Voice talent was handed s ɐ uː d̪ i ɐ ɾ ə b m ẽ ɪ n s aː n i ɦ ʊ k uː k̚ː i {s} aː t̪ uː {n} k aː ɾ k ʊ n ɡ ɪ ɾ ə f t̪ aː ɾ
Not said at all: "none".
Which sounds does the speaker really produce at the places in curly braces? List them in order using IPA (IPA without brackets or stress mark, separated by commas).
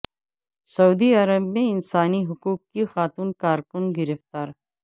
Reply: x, n